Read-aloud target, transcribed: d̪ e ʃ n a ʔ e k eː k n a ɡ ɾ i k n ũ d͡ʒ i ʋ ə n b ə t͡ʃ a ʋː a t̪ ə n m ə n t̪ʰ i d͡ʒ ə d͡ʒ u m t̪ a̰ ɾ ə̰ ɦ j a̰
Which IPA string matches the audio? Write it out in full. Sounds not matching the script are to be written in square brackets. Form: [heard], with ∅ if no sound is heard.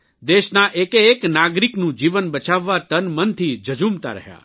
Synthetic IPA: d̪ e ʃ n a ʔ e k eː k n a ɡ ɾ i k n ũ d͡ʒ i ʋ ə n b ə t͡ʃ a ʋː a t̪ ə n m ə n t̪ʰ i d͡ʒ ə d͡ʒ u m t̪ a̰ ɾ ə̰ ɦ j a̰